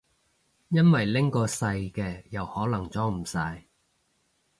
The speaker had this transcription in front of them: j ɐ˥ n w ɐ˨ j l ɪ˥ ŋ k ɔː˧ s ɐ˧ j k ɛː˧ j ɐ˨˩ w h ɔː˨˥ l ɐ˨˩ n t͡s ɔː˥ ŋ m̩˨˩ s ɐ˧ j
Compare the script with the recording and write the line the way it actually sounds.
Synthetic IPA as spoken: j ɐ˥ n w ɐ˨ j l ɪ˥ ŋ k ɔː˧ s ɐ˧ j k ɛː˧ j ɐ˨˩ w h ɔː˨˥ l ɐ˨˩ ŋ t͡s ɔː˥ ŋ m̩˨˩ s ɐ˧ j

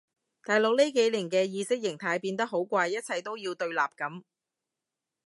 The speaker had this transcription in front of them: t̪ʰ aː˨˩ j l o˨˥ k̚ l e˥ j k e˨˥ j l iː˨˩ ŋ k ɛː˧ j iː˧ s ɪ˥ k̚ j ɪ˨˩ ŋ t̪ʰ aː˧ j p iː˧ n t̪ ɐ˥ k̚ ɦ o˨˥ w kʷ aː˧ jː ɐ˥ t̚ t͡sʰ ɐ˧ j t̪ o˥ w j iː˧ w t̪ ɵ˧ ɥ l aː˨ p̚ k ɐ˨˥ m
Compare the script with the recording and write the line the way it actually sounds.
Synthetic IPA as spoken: t̪ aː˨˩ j l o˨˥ k̚ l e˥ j k e˨˥ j l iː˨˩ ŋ k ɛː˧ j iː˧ s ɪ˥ k̚ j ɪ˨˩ ŋ t̪ʰ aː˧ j p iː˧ n t̪ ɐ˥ k̚ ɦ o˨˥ w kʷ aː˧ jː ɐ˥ t̚ t͡sʰ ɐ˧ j t̪ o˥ w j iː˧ w t̪ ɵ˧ ɥ l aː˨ p̚ k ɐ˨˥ m

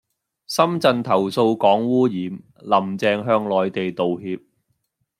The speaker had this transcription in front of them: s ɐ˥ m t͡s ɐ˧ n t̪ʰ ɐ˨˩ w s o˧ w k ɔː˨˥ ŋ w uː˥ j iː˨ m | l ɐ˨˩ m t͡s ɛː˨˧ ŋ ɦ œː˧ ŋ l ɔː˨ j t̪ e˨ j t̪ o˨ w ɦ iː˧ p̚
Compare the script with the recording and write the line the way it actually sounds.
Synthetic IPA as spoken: s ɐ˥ m t͡s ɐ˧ n t̪ʰ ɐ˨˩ w s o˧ w k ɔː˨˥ ŋ w uː˥ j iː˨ m | l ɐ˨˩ m t͡s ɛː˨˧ ŋ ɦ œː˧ ŋ l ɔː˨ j t̪ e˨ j t̪ o˨ w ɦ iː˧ p̚

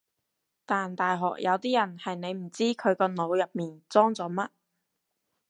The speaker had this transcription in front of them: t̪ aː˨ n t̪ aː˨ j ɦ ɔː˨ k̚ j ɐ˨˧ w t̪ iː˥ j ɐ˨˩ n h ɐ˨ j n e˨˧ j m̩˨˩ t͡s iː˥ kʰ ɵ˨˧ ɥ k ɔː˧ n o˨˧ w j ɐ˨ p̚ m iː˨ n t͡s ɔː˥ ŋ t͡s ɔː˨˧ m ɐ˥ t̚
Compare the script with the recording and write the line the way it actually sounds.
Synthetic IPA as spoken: t̪ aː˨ n t̪ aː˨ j ɦ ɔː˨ k̚ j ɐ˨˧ w t̪ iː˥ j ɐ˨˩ n h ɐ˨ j n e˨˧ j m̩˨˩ t͡s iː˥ kʰ ɵ˨˧ ɥ k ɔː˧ n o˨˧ w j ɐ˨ p̚ m iː˨ n t͡s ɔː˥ ŋ t͡s ɔː˨˧ m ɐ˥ t̚

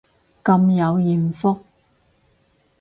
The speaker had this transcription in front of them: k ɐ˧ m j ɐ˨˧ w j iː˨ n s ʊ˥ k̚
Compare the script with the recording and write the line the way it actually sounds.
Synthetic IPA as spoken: k ɐ˧ m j ɐ˨˧ w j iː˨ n f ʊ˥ k̚

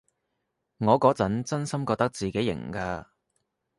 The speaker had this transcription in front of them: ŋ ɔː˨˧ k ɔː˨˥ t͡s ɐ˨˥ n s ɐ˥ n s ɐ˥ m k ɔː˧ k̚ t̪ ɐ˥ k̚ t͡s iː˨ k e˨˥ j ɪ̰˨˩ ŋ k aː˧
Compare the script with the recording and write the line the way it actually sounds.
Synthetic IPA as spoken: ŋ ɔː˨˧ k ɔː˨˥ t͡s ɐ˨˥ n t͡s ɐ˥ n s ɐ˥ m k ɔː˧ k̚ t̪ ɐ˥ k̚ t͡s iː˨ k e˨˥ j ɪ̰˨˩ ŋ k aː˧

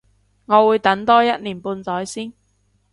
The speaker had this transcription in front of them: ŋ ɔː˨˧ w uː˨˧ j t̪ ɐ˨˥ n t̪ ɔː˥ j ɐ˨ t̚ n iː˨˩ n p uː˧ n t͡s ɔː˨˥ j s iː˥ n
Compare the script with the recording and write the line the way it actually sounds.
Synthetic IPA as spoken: ŋ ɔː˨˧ w uː˨˧ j t̪ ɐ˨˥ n t̪ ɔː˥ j ɐ˥ t̚ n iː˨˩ n p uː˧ n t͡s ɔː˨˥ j s iː˥ n

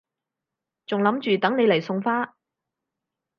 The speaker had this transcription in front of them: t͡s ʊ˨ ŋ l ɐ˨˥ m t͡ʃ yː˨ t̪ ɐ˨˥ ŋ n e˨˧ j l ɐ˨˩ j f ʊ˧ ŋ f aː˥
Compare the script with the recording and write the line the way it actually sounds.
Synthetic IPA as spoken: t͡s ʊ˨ ŋ l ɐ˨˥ m t͡ʃ yː˨ t̪ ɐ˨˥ ŋ n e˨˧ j l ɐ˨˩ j s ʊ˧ ŋ f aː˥

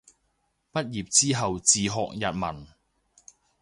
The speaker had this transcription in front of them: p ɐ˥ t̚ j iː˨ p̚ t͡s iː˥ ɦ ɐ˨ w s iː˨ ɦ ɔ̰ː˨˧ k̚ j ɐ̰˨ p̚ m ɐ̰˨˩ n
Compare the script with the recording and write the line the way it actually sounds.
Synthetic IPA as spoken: p ɐ˥ t̚ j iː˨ p̚ t͡s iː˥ ɦ ɐ˨ w t͡s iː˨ ɦ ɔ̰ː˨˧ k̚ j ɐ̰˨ t̚ m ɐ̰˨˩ n

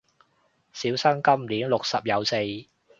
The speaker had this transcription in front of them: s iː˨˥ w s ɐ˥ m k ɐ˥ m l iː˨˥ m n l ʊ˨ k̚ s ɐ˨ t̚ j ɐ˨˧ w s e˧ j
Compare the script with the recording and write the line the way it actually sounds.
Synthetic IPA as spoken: s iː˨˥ w s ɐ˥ ŋ k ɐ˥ m l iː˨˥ n l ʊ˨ k̚ s ɐ˨ p̚ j ɐ˨˧ w s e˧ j

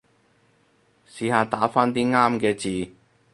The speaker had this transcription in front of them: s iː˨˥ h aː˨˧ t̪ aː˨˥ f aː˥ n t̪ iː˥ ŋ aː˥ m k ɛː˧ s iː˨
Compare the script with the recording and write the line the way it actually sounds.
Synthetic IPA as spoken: s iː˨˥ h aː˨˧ t̪ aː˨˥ f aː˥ n t̪ iː˥ ŋ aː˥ m k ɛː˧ t͡s iː˨

